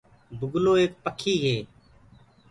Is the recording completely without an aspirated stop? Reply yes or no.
no